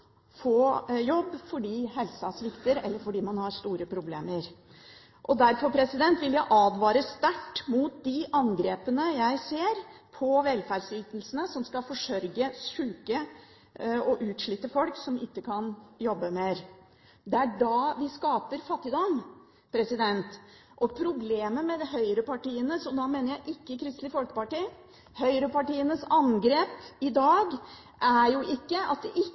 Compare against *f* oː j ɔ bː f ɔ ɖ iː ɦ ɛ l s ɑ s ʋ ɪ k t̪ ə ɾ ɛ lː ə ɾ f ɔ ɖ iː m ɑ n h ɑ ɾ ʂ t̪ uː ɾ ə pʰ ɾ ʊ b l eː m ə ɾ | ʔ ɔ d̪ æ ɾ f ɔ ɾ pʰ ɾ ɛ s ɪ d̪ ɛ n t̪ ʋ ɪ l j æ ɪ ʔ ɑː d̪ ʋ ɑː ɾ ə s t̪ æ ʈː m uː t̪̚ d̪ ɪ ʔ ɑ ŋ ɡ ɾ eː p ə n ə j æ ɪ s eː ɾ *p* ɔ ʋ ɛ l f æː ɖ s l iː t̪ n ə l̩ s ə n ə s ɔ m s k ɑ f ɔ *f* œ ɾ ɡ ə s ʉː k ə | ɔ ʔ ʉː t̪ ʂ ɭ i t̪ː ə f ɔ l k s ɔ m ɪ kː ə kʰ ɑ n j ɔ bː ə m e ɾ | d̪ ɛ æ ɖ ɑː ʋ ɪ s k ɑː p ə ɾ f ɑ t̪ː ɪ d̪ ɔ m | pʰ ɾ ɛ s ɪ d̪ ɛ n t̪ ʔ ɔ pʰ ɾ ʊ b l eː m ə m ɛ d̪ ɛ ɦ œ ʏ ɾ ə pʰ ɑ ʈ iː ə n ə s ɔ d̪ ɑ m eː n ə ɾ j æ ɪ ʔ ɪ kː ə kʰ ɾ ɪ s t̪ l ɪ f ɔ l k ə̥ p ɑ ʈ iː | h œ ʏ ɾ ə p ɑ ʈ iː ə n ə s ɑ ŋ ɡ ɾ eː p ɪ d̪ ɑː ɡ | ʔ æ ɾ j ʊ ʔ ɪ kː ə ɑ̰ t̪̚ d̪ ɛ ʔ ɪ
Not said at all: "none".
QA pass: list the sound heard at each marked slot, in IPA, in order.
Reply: f, pʰ, ʂ

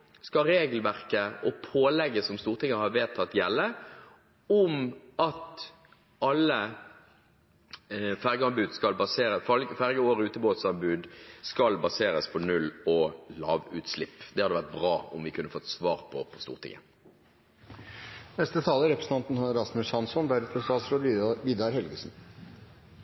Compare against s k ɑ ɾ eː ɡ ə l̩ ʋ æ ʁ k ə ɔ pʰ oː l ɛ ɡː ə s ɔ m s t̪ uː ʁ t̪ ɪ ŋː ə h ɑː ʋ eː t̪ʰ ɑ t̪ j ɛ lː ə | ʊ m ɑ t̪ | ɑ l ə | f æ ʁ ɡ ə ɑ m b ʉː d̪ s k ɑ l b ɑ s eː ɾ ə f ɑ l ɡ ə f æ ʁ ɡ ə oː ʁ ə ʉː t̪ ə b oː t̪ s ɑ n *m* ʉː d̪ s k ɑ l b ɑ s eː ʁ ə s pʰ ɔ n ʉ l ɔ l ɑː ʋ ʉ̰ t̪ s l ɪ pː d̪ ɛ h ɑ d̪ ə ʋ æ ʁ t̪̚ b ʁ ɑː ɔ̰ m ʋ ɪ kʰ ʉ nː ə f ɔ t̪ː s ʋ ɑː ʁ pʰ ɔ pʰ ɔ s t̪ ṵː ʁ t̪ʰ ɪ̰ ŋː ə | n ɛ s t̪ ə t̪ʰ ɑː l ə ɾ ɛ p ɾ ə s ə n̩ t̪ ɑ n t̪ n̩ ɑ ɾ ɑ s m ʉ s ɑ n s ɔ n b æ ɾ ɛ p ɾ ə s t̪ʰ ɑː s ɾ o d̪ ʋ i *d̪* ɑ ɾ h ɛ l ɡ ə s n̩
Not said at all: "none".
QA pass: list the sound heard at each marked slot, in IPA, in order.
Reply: b, d̪

